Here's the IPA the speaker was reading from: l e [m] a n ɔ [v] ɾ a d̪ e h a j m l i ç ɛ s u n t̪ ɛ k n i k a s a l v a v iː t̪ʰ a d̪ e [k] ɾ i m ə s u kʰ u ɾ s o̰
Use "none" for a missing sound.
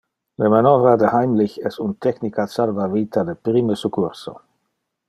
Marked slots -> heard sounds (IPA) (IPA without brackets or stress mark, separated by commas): m, v, p